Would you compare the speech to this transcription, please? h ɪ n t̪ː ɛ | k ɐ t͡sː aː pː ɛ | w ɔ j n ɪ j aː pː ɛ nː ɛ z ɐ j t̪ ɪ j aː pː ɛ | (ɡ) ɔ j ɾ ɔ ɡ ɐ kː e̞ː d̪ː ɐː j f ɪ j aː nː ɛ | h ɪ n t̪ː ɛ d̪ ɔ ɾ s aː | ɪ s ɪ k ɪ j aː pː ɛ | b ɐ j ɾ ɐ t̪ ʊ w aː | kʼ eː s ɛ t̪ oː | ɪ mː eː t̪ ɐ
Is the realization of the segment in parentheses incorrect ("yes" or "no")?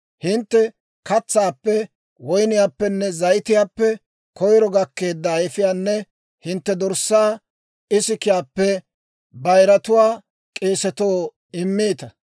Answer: yes